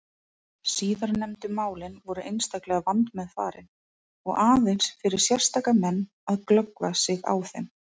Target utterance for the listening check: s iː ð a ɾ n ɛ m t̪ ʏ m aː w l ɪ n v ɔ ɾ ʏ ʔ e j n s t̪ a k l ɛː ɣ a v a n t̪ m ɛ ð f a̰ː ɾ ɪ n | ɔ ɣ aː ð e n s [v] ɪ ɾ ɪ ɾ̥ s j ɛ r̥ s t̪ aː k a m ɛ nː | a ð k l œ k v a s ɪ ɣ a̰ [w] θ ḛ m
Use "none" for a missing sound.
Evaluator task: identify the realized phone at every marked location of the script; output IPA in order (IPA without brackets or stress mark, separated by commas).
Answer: f, w